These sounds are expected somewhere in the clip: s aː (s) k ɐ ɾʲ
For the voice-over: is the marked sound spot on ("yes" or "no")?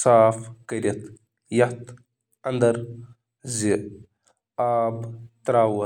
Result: no